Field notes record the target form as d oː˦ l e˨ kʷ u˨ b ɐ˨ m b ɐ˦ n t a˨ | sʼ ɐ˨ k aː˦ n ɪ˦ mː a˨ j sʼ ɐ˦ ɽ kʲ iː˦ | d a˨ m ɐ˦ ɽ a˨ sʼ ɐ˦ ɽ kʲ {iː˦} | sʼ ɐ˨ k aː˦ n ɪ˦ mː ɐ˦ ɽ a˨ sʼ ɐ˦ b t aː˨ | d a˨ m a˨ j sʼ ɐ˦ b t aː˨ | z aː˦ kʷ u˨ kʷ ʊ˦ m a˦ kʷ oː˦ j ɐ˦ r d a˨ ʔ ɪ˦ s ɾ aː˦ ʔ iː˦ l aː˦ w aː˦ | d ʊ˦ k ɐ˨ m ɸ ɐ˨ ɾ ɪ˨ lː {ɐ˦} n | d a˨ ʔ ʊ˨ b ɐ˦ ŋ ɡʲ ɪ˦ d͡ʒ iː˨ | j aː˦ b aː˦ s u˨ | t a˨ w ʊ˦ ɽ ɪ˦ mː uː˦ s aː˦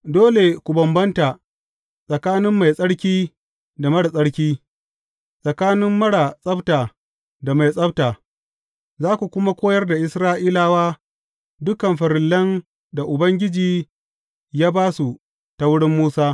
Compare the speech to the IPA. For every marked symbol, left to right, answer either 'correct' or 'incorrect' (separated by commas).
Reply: correct, correct